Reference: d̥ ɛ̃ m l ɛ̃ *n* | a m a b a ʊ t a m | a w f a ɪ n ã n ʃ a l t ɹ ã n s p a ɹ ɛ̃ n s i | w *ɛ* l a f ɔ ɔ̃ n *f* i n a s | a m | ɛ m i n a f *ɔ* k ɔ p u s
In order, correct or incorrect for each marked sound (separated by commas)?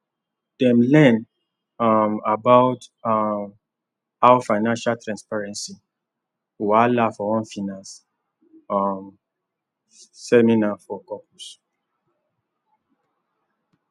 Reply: correct, incorrect, correct, correct